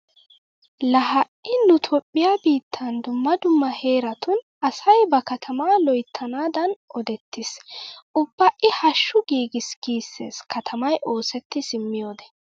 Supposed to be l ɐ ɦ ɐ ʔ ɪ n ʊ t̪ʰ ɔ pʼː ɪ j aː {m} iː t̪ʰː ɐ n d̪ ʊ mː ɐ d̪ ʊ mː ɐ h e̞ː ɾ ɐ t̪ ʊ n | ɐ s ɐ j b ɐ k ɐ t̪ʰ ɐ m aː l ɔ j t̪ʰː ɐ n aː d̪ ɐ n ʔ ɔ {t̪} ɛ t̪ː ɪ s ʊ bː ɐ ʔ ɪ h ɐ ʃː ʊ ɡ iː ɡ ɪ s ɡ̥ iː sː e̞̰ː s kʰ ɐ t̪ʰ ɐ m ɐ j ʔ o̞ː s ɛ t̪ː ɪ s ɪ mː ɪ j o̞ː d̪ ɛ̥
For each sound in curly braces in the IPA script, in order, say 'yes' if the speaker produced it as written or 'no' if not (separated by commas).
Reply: no, no